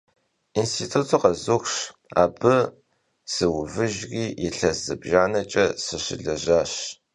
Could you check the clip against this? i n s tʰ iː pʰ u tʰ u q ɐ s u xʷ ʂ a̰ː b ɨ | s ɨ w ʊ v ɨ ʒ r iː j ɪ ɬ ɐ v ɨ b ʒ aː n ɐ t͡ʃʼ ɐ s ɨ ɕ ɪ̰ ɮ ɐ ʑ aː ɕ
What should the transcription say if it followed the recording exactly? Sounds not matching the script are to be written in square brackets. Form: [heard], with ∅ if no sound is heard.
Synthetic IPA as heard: i n s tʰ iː [tʰ] u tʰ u q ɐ [z] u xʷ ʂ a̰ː b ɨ | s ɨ w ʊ v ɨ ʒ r iː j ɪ ɬ ɐ [z] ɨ b ʒ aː n ɐ t͡ʃʼ ɐ s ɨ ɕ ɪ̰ ɮ ɐ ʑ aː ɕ